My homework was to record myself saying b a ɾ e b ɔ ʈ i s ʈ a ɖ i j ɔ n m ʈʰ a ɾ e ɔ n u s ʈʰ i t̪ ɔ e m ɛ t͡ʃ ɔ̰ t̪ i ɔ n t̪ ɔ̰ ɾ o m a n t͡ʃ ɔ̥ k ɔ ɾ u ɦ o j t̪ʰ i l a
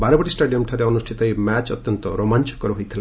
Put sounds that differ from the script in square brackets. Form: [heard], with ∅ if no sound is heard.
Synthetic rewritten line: b a ɾ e b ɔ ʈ i s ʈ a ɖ i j ɔ [∅] m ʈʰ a ɾ e ɔ n u s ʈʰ i t̪ ɔ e m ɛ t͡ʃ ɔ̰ t̪ [j] ɔ n t̪ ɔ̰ ɾ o m a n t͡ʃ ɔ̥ k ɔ ɾ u ɦ o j t̪ʰ i l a